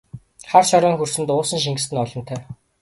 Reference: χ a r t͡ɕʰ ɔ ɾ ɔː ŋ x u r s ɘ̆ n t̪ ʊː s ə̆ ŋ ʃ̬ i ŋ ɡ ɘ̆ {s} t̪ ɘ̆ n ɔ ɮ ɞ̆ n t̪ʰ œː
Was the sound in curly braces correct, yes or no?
yes